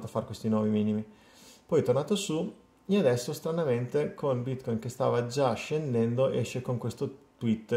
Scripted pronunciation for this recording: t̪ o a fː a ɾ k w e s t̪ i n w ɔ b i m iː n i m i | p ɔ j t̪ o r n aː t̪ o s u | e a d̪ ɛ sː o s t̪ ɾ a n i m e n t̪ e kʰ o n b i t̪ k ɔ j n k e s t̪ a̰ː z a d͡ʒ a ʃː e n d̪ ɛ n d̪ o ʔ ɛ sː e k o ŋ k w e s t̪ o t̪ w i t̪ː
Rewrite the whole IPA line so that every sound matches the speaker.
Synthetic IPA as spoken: t̪ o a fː a ɾ k w e s t̪ i n w ɔ v i m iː n i m i | p ɔ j t̪ o r n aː t̪ o s u | e a d̪ ɛ sː o s t̪ ɾ a n a m e n t̪ e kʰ o n b i t̪ k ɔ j n k e s t̪ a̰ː v a d͡ʒ a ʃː e n d̪ ɛ n d̪ o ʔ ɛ ʃː e k o ŋ k w e s t̪ o t̪ w i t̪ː